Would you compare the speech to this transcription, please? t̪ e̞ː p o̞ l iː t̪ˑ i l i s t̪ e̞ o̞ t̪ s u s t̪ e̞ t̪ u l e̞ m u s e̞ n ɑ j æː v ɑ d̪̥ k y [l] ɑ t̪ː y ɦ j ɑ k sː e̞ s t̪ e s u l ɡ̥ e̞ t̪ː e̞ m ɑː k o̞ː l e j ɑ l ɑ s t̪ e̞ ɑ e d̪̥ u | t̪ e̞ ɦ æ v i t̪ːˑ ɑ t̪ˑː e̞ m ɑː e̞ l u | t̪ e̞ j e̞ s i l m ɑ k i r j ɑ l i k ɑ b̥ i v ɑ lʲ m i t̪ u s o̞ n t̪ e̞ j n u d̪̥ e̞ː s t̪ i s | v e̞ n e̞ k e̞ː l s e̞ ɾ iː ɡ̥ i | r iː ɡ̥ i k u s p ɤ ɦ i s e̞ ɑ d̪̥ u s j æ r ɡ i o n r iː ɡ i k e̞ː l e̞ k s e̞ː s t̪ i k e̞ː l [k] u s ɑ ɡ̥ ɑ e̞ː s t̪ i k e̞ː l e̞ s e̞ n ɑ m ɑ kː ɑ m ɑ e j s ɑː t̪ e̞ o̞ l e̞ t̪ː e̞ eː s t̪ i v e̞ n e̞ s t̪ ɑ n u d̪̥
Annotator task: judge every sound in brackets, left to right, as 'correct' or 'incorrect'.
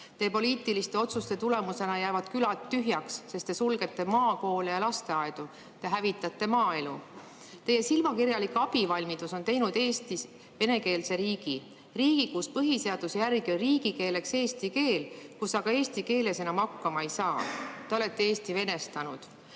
correct, correct

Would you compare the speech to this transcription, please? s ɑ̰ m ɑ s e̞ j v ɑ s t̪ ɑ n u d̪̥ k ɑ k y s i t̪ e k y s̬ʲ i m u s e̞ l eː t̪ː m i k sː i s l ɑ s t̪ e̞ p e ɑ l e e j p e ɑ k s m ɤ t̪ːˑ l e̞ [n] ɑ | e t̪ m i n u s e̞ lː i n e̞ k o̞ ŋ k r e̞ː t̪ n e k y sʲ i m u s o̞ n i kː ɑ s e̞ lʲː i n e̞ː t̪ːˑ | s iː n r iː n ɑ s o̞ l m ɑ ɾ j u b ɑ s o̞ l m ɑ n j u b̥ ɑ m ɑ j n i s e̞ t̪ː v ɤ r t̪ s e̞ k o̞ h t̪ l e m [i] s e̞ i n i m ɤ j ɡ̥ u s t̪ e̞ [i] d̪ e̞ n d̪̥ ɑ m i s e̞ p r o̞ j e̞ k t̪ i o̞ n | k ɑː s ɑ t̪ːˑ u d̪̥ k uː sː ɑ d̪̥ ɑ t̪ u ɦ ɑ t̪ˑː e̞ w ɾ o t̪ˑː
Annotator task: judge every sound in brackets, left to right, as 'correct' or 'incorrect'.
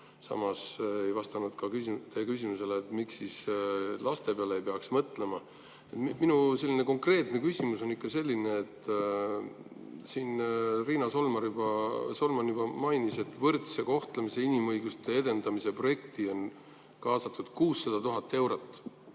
incorrect, correct, incorrect

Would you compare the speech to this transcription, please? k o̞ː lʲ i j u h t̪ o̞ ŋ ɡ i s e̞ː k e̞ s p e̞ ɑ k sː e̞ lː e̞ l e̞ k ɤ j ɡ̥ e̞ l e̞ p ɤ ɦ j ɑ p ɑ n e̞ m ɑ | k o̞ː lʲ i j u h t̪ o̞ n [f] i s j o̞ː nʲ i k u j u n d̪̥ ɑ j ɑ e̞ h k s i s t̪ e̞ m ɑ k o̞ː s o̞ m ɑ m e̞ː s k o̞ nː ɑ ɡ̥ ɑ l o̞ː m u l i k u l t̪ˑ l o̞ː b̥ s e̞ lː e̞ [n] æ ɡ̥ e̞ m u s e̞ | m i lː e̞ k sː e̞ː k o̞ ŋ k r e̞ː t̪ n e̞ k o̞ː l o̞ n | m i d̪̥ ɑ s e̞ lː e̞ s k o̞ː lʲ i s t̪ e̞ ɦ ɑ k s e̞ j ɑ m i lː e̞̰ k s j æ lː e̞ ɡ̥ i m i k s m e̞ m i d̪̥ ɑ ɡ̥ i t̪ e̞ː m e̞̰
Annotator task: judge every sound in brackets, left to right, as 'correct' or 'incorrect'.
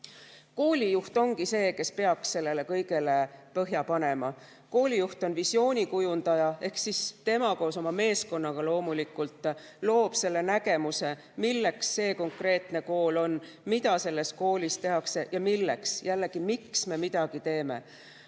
incorrect, correct

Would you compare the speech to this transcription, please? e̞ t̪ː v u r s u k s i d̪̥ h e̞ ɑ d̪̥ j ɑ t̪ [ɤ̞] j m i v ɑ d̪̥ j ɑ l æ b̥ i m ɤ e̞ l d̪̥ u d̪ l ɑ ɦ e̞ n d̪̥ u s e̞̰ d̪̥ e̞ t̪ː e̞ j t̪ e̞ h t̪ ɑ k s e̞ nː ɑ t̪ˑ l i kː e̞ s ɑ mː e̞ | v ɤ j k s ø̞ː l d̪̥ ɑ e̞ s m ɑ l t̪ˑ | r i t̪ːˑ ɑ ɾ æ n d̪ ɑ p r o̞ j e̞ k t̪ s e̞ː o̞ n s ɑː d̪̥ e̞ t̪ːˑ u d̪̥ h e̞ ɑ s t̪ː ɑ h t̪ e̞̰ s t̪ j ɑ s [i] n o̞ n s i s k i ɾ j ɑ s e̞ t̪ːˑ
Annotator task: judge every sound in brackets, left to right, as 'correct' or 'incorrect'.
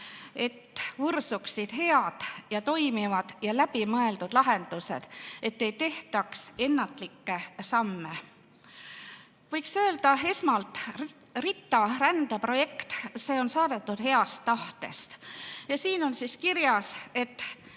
incorrect, incorrect

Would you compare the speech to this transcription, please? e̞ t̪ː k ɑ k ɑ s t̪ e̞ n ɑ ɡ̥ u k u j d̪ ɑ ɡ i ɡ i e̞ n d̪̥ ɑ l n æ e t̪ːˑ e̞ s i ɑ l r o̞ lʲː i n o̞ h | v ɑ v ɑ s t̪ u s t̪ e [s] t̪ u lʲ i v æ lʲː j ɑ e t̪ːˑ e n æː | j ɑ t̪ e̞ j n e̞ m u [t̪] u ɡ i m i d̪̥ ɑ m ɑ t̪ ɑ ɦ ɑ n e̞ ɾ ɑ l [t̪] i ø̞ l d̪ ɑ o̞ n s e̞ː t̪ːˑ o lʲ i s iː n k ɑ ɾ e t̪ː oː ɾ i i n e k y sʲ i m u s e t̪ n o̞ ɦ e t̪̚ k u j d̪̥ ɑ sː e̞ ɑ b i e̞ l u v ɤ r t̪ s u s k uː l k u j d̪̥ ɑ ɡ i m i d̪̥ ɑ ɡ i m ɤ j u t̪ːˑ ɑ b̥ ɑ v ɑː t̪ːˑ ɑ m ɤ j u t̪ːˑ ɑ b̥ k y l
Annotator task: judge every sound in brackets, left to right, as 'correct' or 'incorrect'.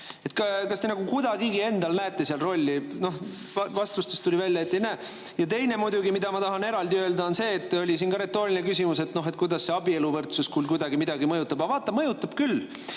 correct, incorrect, incorrect

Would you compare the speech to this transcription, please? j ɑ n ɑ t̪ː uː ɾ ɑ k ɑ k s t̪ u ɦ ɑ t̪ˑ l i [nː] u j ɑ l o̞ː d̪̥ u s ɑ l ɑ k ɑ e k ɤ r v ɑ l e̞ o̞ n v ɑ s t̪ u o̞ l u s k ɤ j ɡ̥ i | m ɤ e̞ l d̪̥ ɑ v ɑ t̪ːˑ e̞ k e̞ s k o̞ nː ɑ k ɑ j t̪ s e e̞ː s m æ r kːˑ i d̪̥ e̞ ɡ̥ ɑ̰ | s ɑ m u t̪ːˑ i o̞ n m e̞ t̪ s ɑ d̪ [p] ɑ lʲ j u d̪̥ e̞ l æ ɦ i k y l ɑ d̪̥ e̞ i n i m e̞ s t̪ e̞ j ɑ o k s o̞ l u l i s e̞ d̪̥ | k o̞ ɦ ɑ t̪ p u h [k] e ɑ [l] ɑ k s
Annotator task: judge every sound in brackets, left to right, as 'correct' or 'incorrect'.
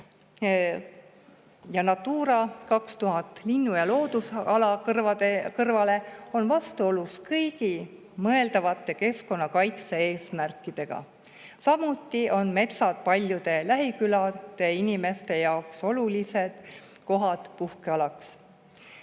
correct, correct, correct, correct

